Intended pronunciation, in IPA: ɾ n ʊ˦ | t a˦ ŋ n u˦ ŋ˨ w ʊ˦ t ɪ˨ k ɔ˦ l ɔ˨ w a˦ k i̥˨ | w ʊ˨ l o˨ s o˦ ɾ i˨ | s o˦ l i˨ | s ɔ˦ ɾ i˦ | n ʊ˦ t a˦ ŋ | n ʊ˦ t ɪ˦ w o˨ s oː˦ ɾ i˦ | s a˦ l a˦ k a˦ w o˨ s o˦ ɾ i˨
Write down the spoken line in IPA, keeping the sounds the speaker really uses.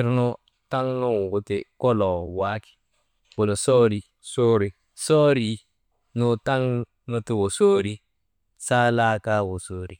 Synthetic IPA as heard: ɾ n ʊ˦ | t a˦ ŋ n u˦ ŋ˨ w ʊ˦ t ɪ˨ k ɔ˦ l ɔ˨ w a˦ k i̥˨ | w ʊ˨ l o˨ s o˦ ɾ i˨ | s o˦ ɾ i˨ | s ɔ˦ ɾ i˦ | n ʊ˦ t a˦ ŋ | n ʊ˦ t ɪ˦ w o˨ s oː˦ ɾ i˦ | s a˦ l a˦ k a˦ w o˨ s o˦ ɾ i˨